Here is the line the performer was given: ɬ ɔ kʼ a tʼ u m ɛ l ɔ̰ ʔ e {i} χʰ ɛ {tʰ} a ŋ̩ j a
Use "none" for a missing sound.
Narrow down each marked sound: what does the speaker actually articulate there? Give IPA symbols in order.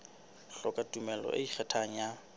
i, tʰ

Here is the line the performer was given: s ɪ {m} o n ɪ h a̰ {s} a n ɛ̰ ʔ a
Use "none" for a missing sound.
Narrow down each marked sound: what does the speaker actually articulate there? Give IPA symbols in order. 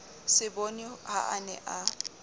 b, none

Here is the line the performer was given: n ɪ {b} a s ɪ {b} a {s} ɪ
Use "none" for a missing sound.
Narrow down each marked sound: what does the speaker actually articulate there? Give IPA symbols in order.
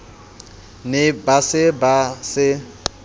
b, b, s

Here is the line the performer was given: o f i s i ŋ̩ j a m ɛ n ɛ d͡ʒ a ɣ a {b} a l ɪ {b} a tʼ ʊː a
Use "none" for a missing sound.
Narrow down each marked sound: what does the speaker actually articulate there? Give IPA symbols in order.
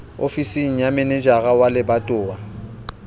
w, b

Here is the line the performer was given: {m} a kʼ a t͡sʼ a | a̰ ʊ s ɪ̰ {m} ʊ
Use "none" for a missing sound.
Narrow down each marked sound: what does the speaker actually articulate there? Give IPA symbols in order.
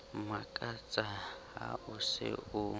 m, none

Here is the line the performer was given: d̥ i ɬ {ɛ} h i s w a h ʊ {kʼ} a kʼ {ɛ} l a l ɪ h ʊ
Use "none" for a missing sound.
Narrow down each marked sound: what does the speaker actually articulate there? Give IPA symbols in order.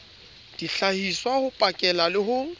a, pʼ, ɛ

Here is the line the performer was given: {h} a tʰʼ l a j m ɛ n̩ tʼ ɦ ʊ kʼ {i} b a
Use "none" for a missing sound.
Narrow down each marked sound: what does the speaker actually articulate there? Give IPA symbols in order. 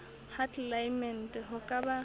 h, a

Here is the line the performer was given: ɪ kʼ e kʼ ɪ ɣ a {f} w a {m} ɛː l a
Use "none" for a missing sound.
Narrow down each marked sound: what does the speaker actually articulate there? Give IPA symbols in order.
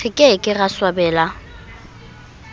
s, b

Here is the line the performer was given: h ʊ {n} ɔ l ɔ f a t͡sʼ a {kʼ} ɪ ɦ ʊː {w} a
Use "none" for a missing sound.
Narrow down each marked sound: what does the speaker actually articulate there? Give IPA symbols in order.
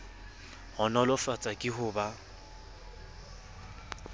n, kʼ, b

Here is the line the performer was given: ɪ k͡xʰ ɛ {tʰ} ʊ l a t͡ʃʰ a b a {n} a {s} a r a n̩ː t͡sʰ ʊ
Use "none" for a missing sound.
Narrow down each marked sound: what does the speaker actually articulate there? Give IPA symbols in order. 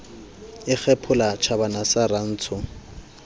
pʰ, n, s

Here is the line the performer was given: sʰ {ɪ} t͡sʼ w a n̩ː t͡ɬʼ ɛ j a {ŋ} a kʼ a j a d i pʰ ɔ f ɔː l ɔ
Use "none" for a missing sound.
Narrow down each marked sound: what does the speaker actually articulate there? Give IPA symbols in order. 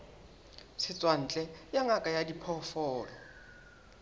ɪ, ŋ

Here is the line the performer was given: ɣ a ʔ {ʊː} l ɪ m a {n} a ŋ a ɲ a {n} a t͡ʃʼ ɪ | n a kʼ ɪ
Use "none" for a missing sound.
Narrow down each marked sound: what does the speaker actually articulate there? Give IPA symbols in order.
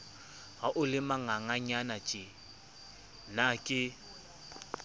ʊ, ŋ, n

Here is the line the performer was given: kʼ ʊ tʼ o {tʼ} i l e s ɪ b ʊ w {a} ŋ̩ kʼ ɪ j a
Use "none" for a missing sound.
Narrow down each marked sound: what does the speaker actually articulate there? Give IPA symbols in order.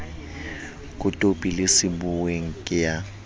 pʼ, e

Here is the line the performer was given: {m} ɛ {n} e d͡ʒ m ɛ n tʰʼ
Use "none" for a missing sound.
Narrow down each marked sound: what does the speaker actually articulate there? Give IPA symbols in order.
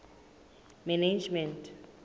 m, n

